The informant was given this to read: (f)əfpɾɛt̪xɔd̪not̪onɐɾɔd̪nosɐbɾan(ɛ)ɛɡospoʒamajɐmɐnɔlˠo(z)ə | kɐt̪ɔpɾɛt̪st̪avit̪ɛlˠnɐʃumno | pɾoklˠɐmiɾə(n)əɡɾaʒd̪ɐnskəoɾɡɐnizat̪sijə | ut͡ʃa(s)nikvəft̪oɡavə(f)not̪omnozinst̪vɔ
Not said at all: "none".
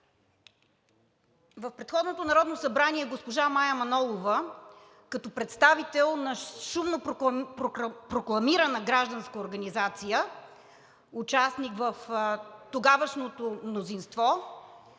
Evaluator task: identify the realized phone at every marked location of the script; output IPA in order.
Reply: v, i, v, n, s, ʃ

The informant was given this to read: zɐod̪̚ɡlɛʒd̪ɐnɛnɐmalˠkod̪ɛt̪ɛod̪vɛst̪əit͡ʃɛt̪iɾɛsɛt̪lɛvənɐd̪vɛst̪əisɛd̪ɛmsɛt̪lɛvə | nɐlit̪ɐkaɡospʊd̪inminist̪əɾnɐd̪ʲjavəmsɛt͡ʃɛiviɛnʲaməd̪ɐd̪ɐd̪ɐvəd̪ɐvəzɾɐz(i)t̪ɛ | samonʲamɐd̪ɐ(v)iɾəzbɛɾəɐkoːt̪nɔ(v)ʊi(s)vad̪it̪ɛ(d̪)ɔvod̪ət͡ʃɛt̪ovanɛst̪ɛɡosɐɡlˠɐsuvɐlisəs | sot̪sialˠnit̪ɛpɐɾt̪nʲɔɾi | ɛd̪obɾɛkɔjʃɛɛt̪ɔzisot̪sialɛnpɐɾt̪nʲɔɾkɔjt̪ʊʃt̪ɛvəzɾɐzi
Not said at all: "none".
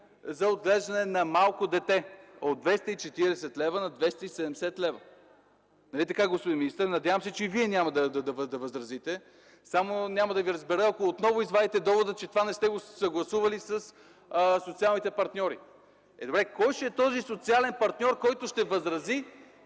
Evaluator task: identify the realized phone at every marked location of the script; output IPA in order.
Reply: i, v, v, z, d̪

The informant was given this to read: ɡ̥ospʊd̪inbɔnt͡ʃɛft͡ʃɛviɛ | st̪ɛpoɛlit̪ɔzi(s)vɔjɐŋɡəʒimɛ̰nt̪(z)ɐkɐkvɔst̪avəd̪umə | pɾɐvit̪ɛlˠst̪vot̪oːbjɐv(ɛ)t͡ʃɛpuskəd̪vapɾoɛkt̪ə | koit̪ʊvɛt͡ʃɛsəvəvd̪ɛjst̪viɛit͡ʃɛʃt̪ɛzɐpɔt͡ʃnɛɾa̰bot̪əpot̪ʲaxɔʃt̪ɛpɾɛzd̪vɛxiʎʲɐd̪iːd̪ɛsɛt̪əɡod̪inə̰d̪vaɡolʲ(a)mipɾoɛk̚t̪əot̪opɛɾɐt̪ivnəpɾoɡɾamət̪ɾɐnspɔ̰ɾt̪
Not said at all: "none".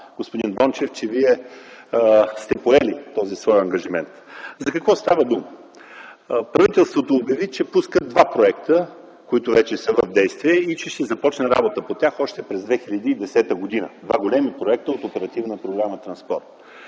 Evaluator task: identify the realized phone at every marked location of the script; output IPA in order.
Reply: s, z, i, ɛ

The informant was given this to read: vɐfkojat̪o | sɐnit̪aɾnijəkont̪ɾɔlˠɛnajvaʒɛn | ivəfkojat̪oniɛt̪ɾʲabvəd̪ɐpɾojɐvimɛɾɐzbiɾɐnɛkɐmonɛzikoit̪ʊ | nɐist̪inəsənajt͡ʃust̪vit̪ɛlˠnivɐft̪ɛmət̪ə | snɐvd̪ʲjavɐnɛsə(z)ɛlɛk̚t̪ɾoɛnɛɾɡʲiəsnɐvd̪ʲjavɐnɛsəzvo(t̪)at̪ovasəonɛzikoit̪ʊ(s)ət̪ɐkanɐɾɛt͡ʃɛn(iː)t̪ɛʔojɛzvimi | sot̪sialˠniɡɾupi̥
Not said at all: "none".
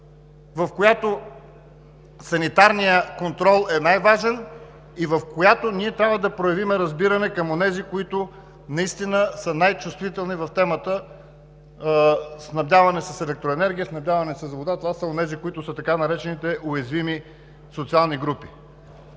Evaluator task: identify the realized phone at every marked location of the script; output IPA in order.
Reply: s, d̪, s, i

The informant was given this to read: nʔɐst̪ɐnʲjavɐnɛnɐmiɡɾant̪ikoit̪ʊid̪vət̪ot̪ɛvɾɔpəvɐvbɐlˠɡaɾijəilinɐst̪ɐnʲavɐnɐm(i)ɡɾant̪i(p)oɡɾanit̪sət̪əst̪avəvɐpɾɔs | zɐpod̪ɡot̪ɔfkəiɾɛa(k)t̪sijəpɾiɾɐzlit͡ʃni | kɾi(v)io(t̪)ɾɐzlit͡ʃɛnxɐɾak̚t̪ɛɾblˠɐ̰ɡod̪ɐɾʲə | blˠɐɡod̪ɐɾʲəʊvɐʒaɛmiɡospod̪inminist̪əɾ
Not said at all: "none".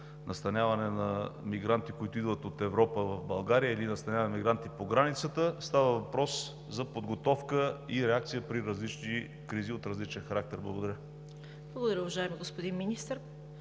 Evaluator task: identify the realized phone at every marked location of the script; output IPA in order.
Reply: i, p, k, z, t̪

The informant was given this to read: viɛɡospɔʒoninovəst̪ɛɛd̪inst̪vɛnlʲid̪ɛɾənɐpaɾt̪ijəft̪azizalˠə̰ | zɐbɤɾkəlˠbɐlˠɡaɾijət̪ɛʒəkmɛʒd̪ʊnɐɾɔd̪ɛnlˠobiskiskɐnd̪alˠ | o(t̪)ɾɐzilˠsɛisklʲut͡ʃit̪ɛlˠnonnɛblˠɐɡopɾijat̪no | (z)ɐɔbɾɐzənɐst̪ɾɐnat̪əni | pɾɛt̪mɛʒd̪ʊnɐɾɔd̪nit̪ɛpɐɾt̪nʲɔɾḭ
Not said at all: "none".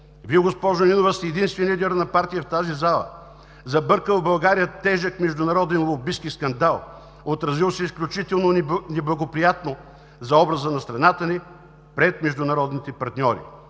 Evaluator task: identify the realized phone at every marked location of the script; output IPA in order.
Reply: t̪, z

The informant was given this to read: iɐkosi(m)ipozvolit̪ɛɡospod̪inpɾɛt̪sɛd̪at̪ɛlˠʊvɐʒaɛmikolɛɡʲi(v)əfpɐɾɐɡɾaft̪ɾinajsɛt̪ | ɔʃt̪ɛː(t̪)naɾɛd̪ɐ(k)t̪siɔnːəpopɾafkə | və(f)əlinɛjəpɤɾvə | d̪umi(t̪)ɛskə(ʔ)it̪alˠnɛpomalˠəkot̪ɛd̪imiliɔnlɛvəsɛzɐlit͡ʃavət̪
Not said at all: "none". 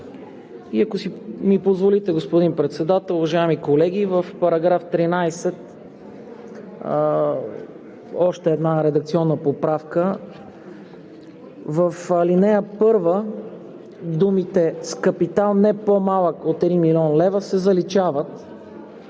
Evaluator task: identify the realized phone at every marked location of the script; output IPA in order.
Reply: m, v, d̪, k, f, t̪, p

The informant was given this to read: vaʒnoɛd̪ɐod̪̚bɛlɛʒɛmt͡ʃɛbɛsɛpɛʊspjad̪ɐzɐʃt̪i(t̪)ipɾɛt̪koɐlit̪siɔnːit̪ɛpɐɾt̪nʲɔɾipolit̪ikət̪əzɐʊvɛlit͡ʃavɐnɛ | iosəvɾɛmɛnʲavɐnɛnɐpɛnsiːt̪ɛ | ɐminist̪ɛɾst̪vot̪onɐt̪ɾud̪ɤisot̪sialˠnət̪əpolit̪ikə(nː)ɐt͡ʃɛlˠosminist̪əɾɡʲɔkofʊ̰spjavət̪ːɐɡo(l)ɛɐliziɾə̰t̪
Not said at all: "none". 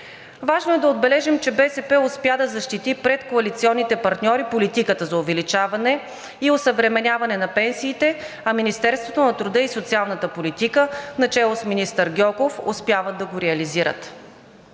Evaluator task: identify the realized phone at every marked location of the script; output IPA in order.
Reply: t̪, n, ɾ

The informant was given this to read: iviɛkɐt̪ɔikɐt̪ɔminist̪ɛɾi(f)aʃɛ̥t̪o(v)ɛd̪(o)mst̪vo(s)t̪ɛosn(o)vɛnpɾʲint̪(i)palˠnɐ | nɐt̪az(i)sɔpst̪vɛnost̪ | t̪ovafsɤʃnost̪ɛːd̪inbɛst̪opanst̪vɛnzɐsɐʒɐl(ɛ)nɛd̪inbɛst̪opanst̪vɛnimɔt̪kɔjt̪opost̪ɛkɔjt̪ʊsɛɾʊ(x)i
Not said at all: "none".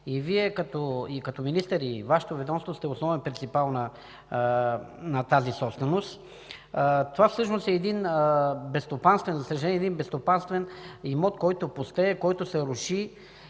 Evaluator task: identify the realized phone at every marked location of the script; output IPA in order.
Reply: v, v, ɔ, s, ɔ, i, i, ɛ, ʃ

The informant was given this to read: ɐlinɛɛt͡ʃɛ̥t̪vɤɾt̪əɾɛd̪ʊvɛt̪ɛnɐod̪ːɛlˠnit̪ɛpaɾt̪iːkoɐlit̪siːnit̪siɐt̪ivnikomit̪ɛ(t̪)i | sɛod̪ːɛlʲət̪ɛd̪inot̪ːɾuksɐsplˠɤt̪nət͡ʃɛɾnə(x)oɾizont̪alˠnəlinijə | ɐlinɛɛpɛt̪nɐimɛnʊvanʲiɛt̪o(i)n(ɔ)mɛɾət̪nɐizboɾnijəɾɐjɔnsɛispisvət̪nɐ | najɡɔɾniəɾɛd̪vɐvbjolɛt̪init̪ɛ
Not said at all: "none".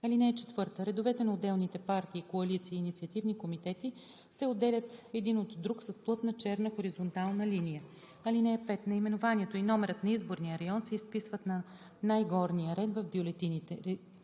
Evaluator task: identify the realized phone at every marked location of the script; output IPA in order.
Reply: t̪, x, i, ɔ

